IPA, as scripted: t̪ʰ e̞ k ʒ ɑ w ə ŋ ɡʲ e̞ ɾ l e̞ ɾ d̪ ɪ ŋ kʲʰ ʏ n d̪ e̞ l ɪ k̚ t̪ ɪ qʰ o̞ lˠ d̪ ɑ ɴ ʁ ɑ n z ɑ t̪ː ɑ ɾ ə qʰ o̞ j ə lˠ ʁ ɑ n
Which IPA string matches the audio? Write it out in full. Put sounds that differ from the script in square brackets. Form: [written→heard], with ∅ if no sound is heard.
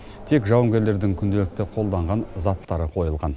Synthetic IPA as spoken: t̪ʰ e̞ k ʒ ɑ w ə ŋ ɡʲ e̞ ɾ l e̞ ɾ d̪ ɪ ŋ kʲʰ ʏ n d̪ e̞ l ɪ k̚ t̪ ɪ qʰ o̞ lˠ d̪ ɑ ɴ ʁ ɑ n z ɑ t̪ː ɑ ɾ ə qʰ o̞ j ə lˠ ʁ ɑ n